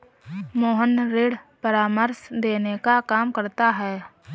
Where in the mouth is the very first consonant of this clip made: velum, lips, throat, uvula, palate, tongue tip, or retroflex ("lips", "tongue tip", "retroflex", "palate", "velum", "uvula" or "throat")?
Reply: lips